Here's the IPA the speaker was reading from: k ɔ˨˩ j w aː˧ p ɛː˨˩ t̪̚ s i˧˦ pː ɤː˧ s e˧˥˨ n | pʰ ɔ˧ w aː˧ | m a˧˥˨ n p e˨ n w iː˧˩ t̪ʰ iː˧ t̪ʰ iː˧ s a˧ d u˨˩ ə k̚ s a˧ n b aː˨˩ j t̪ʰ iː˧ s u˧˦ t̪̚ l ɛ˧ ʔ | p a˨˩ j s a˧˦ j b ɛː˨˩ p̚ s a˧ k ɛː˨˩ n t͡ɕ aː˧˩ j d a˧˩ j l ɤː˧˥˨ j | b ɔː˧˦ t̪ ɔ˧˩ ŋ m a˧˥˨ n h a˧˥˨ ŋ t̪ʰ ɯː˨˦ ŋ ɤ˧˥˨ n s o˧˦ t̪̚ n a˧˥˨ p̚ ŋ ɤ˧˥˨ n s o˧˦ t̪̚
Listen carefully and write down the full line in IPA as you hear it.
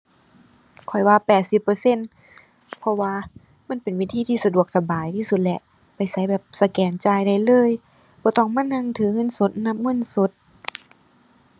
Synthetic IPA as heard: kʰ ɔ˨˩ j w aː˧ p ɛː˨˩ t̪̚ s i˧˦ pː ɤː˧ s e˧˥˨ n | pʰ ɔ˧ w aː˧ | m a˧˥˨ n p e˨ n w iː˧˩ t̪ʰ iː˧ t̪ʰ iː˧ s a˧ d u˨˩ ə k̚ s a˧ b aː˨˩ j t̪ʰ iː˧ s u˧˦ t̪̚ l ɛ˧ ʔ | p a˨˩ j s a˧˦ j b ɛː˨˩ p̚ s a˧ k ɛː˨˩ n t͡ɕ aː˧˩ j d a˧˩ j l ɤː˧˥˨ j | b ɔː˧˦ t̪ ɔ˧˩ ŋ m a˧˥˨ n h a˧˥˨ ŋ t̪ʰ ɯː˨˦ ŋ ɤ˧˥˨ n s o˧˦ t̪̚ n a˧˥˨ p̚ ŋ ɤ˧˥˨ n s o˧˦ t̪̚